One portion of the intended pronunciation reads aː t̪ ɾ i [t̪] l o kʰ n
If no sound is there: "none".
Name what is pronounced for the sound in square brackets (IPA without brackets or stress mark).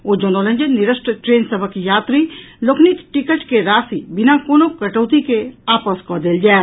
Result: none